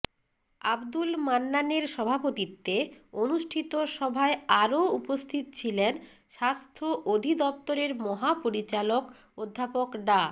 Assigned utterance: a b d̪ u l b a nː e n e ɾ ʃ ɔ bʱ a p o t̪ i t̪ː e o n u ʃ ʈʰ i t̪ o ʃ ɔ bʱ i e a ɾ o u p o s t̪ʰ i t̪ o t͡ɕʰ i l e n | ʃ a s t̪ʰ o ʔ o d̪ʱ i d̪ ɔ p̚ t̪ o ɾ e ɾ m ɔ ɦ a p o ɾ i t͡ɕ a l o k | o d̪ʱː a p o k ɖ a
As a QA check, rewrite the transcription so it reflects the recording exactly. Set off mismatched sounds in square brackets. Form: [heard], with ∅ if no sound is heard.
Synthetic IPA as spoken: a b d̪ u l [m] a nː [a] n e ɾ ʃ ɔ bʱ a p o t̪ i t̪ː e o n u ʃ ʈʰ i t̪ o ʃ ɔ bʱ [a] e a ɾ o u p o s t̪ʰ i t̪ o t͡ɕʰ i l e n | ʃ a s t̪ʰ o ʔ o d̪ʱ i d̪ ɔ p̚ t̪ o ɾ e ɾ m ɔ ɦ a p o ɾ i t͡ɕ a l o k | o d̪ʱː a p o k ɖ a